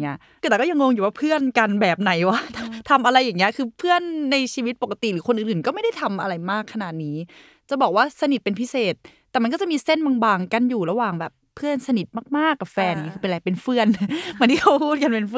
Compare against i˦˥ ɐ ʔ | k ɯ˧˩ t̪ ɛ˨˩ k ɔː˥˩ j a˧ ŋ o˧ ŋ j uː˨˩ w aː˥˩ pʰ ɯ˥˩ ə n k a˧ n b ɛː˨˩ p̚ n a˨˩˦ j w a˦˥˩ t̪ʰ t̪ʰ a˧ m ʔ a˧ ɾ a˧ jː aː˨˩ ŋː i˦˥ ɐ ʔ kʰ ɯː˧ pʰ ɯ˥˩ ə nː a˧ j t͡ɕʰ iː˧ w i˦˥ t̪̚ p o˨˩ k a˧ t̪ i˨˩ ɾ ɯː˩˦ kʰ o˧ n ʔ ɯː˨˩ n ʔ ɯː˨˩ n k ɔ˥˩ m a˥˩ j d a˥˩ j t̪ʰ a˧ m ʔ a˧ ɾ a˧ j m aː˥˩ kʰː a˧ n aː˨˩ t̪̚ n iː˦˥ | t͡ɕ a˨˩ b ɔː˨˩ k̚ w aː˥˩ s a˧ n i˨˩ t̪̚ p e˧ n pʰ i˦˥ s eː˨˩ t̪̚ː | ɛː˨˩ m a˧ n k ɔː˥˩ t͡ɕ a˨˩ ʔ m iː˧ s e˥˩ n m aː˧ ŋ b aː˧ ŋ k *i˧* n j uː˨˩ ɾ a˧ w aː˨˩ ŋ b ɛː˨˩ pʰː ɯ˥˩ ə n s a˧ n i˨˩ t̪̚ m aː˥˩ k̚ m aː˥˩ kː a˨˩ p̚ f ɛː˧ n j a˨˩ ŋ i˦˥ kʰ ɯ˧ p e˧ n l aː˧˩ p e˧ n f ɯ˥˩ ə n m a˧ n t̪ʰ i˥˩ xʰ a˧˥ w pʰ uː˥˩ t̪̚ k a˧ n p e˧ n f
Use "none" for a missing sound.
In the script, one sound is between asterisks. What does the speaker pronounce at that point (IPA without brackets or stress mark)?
a˧